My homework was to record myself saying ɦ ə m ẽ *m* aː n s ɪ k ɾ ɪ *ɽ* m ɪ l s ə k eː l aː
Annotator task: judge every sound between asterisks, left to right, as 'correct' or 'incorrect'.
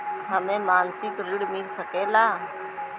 correct, correct

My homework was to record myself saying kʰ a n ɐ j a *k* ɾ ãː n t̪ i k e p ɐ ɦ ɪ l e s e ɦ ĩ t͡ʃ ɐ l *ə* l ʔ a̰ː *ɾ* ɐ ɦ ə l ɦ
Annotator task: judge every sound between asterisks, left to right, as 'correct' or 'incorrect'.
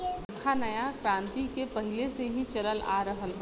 correct, correct, correct

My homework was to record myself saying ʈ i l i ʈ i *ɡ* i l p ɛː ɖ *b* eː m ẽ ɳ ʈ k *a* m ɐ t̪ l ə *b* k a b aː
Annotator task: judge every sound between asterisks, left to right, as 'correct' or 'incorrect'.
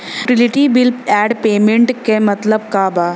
incorrect: b, incorrect: p, incorrect: e, correct

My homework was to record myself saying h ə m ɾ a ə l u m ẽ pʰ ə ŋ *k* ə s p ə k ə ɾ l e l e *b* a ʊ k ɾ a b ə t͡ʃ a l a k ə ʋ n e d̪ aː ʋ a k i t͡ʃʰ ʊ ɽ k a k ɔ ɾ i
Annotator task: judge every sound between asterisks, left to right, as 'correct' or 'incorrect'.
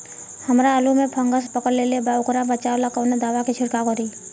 incorrect: ɡ, correct

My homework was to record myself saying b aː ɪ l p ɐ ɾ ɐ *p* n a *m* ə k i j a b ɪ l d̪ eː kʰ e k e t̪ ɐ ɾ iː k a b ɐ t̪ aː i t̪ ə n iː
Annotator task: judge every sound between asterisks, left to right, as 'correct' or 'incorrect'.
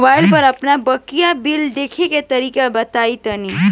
correct, incorrect: b

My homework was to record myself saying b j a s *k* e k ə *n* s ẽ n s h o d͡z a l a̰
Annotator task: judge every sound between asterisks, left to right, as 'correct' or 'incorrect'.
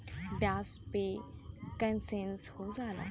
incorrect: p, correct

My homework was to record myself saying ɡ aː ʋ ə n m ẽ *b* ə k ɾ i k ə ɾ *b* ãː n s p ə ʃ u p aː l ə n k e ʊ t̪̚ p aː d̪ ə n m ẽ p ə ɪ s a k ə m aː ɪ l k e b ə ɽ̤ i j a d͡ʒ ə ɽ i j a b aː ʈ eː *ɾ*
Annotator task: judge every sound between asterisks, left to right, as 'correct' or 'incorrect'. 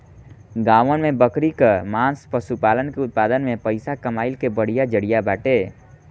correct, incorrect: m, incorrect: none

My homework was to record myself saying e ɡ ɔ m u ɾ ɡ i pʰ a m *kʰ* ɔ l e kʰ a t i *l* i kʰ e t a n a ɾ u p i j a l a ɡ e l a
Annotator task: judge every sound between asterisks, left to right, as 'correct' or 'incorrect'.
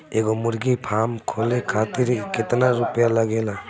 correct, incorrect: ɾ

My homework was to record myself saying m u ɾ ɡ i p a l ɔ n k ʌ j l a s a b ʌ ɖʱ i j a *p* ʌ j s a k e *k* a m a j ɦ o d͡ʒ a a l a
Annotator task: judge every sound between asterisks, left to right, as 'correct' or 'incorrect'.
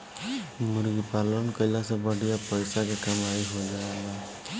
correct, correct

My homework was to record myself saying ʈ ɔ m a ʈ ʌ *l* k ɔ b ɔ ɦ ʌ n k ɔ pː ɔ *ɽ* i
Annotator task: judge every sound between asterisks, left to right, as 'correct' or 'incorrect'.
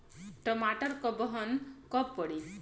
incorrect: ɾ, correct

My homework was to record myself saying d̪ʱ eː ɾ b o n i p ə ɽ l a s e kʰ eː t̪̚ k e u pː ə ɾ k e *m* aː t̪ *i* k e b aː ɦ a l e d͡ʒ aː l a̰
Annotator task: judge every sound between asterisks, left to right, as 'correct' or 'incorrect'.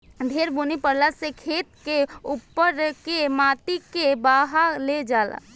correct, correct

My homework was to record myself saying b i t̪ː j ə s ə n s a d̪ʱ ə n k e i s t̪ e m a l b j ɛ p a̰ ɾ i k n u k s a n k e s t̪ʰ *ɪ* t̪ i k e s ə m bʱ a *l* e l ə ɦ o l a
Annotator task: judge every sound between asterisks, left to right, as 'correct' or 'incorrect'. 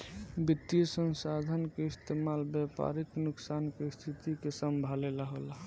incorrect: i, correct

